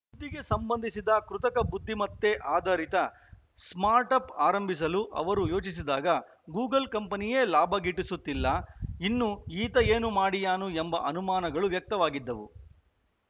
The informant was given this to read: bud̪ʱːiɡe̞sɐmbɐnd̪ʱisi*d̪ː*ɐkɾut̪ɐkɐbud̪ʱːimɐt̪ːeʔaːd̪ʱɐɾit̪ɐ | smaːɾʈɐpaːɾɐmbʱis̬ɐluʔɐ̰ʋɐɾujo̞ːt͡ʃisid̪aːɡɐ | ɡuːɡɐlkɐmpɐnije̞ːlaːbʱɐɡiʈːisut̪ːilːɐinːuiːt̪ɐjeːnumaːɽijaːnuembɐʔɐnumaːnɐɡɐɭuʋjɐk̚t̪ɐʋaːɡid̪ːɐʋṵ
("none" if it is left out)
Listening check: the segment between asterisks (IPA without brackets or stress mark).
d̪